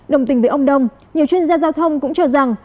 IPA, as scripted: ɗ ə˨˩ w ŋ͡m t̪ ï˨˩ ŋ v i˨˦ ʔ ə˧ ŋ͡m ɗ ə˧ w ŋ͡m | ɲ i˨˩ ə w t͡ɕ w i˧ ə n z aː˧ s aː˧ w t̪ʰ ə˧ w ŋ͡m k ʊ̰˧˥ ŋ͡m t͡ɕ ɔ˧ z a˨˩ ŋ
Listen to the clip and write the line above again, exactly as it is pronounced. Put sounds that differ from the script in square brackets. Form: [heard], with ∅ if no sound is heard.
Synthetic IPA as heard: ɗ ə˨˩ w ŋ͡m t̪ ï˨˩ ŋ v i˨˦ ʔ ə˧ ŋ͡m ɗ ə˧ w ŋ͡m | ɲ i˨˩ ə w t͡ɕ w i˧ ə n z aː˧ [z] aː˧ w t̪ʰ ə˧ w ŋ͡m k ʊ̰˧˥ ŋ͡m t͡ɕ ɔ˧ z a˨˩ ŋ

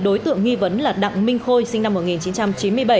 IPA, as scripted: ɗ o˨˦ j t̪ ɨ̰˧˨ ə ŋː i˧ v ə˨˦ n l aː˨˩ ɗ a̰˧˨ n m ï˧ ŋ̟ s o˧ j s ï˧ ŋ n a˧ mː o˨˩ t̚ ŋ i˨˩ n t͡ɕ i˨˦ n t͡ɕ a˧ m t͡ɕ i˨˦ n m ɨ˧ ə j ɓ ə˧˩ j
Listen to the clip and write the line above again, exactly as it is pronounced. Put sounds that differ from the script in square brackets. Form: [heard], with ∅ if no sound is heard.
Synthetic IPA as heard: ɗ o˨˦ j t̪ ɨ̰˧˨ ə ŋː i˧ v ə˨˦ n l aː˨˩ ɗ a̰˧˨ [ŋ] m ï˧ ŋ̟ [x] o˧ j s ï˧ ŋ n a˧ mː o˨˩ t̚ ŋ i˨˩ n t͡ɕ i˨˦ n t͡ɕ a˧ m t͡ɕ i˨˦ n m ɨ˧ ə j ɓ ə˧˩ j

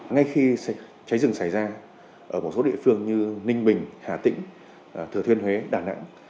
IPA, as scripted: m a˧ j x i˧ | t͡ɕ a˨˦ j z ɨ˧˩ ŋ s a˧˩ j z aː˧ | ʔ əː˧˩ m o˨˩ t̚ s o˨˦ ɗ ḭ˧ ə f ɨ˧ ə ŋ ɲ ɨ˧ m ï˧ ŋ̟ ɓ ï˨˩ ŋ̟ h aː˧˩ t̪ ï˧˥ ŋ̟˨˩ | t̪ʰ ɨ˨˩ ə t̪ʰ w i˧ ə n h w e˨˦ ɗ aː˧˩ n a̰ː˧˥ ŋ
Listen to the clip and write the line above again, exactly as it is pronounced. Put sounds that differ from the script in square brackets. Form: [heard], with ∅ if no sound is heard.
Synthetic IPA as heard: [ŋ] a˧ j x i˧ | t͡ɕ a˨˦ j z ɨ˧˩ ŋ s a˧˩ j z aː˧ | ʔ əː˧˩ m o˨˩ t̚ s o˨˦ ɗ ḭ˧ ə f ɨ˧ ə ŋ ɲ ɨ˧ [n] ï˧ ŋ̟ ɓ ï˨˩ ŋ̟ h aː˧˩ t̪ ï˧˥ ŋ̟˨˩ | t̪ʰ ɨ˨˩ ə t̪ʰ w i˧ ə n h w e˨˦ ɗ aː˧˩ n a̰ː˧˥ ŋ

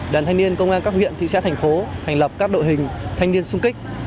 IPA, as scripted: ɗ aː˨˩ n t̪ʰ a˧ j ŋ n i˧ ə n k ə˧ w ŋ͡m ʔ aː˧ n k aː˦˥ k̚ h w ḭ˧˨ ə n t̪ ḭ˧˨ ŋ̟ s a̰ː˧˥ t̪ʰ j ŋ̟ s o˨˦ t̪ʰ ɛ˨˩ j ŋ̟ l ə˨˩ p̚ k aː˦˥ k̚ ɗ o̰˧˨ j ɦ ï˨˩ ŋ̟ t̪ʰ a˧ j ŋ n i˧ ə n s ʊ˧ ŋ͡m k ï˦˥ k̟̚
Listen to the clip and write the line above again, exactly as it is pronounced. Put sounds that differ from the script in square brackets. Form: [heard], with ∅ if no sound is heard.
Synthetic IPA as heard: ɗ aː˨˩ n t̪ʰ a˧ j ŋ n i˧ ə n k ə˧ w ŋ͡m ʔ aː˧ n k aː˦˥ k̚ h w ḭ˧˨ ə n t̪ ḭ˧˨ [∅] s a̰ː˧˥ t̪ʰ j ŋ̟ [f] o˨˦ t̪ʰ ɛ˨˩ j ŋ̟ l ə˨˩ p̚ k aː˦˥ k̚ ɗ o̰˧˨ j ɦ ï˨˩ ŋ̟ t̪ʰ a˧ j ŋ n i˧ ə n s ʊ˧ ŋ͡m k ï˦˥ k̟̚

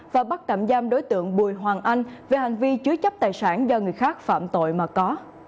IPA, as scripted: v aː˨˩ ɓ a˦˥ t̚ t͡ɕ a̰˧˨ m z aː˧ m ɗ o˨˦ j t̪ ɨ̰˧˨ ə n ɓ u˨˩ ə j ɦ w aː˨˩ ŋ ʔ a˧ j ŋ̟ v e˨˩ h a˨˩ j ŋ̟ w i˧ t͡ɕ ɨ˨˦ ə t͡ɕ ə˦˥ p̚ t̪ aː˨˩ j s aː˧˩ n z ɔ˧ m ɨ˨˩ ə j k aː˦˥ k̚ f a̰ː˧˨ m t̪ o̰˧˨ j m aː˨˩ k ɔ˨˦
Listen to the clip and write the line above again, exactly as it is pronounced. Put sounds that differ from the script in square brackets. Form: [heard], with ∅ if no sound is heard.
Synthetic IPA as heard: v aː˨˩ ɓ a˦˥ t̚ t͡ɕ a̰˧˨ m z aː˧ m ɗ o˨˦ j t̪ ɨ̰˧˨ ə [ŋ] ɓ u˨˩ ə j ɦ w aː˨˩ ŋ ʔ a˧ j ŋ̟ v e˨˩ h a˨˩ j ŋ̟ [v] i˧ t͡ɕ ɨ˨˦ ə t͡ɕ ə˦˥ p̚ t̪ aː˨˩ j s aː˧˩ n z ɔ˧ [ŋ] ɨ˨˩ ə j [x] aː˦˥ k̚ f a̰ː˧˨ m t̪ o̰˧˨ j m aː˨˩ k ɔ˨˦

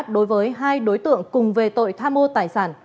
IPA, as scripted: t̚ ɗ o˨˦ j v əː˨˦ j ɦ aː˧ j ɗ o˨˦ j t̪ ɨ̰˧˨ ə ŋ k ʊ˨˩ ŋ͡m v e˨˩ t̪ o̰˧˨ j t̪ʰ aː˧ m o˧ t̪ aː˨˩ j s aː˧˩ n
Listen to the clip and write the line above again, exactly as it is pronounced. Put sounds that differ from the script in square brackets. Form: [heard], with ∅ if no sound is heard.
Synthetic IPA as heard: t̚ ɗ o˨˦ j v əː˨˦ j ɦ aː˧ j ɗ o˨˦ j t̪ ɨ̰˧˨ ə ŋ k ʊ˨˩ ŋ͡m v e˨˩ t̪ o̰˧˨ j t̪ʰ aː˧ m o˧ t̪ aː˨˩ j s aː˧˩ n

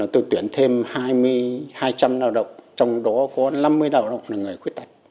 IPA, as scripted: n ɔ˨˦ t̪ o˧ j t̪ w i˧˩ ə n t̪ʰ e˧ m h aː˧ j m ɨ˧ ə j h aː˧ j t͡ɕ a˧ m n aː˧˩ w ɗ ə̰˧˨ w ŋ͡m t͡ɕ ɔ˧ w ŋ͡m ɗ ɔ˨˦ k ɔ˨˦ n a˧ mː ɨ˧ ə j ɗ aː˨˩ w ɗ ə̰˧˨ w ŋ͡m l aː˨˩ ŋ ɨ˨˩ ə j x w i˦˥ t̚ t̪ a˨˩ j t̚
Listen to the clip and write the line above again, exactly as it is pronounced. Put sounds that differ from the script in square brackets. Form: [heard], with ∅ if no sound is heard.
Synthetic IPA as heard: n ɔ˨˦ t̪ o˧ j t̪ w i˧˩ ə n t̪ʰ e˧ m h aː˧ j m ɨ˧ ə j h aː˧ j t͡ɕ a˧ m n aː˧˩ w ɗ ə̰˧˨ w ŋ͡m t͡ɕ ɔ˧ w ŋ͡m ɗ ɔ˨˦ k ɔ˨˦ n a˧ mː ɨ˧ ə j ɗ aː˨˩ w ɗ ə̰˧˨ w ŋ͡m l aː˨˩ ŋ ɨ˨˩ ə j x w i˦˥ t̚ t̪ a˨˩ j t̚

